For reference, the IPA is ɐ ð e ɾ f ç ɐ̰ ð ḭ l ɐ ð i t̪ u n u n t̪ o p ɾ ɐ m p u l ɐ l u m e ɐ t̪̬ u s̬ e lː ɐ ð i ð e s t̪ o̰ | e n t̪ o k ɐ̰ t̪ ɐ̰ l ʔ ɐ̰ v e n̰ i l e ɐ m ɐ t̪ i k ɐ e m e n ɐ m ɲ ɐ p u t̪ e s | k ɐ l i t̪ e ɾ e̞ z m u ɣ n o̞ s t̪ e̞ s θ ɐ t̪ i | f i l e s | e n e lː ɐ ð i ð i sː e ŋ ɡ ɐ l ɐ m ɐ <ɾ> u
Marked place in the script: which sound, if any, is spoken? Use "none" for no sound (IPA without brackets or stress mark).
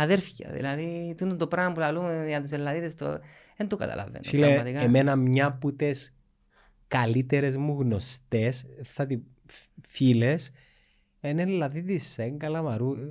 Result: ɾ